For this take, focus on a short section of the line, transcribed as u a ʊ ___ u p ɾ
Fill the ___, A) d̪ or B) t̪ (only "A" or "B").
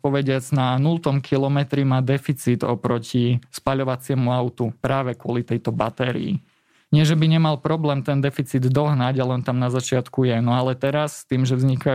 B